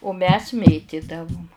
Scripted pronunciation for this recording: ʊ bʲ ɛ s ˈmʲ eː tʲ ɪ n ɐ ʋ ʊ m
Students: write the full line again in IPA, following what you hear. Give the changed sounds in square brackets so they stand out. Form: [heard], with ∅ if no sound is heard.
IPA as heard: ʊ [mʲ] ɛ s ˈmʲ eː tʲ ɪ [d] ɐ ʋ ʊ m